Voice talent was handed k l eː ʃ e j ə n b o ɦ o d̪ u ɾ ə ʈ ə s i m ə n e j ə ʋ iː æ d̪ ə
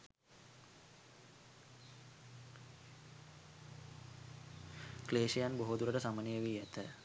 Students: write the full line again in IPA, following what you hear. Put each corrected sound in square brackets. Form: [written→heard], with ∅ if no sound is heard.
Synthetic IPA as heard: k l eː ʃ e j [ə→a] n b o ɦ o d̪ u ɾ ə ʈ ə s [i→a] m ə n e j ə ʋ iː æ [d̪→t̪] ə